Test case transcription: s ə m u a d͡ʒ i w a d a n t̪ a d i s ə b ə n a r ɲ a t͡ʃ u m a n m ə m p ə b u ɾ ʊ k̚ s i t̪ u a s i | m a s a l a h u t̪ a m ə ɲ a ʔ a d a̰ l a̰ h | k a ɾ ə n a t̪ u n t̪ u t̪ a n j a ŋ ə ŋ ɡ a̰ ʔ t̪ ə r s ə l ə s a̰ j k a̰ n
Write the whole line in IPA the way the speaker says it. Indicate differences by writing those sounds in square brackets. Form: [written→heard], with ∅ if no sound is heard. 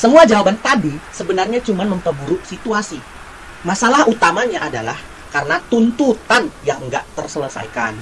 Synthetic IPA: s ə m u a d͡ʒ [i→a] w a [d→b] a n t̪ a d i s ə b ə n a r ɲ a t͡ʃ u m a n m ə m p ə b u ɾ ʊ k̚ s i t̪ u a s i | m a s a l a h u t̪ a m [ə→a] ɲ a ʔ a d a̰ l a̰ h | k a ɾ ə n a t̪ u n t̪ u t̪ a n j a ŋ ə ŋ ɡ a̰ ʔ t̪ ə r s ə l ə s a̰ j k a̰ n